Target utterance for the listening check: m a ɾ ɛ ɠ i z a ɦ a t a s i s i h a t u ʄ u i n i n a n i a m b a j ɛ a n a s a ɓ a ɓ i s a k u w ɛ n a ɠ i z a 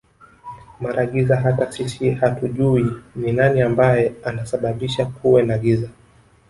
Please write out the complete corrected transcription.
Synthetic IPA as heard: m a ɾ a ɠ i z a ɦ a t a s i s i h a t u ʄ u i n i n a n i a m b a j ɛ a n a s a ɓ a ɓ i ʃ a k u w ɛ n a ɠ i z a